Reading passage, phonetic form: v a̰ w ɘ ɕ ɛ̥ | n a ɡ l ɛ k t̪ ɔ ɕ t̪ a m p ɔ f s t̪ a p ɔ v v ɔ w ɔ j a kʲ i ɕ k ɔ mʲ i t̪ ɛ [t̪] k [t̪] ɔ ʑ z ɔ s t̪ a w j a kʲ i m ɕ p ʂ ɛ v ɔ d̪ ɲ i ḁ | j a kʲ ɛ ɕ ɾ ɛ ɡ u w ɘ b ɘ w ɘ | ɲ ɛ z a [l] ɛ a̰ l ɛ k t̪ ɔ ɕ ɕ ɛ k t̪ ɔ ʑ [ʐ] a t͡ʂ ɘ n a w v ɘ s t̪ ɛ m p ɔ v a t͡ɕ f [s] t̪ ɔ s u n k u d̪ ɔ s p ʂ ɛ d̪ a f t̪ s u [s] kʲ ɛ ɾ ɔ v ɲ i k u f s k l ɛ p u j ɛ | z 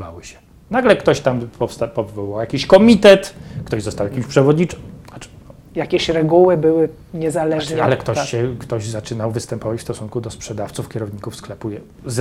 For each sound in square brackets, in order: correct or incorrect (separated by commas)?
correct, correct, correct, incorrect, correct, incorrect